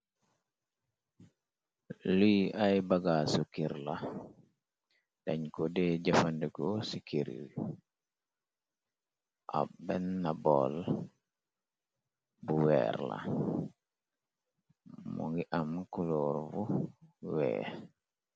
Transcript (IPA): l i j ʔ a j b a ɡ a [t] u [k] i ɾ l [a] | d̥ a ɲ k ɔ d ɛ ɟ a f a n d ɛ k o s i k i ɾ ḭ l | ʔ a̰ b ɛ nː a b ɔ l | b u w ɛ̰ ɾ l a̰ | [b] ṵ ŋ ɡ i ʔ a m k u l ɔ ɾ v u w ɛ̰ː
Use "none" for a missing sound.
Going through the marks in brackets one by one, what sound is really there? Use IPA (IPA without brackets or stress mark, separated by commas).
s, k, a, m